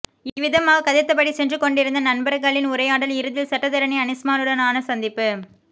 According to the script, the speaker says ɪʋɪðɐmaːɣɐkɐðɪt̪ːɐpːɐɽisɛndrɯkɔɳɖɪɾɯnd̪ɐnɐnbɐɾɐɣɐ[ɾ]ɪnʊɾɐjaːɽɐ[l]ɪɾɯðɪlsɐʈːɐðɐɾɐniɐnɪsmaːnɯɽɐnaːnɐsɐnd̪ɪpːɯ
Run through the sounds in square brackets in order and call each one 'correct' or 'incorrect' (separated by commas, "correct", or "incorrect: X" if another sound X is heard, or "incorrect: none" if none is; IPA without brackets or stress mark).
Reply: incorrect: ɭ, correct